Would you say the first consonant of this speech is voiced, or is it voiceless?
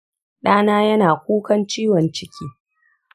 voiced